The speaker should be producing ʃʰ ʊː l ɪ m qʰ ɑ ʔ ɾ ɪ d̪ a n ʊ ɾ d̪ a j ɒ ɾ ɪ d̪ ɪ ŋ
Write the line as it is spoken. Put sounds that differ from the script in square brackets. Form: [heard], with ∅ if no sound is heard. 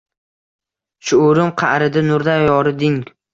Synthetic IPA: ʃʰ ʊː [ɾ] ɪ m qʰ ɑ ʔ ɾ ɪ d̪ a n ʊ ɾ d̪ a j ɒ ɾ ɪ d̪ ɪ ŋ